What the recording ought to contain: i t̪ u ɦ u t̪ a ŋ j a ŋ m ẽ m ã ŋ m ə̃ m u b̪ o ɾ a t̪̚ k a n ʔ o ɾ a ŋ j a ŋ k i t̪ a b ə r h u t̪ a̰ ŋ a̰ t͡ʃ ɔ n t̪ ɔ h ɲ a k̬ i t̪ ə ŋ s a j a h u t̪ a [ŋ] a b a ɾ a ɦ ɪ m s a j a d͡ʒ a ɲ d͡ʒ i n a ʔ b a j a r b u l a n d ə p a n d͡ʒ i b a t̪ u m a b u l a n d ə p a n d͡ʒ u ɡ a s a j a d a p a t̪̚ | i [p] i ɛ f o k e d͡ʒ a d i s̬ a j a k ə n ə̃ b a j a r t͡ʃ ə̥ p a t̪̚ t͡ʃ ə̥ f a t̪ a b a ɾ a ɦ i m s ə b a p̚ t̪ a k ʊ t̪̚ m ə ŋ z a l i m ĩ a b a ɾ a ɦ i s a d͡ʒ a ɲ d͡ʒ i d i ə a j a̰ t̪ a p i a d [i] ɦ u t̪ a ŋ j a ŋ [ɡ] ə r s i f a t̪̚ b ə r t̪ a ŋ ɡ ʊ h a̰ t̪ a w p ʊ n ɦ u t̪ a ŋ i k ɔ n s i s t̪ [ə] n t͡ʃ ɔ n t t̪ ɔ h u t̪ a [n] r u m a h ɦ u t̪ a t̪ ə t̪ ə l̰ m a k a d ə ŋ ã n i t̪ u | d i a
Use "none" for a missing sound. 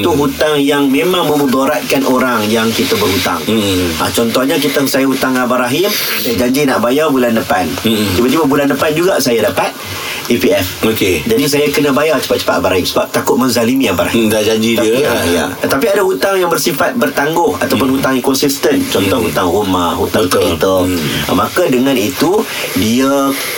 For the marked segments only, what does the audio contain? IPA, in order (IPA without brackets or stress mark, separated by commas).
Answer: ŋ, p, a, b, ə, ŋ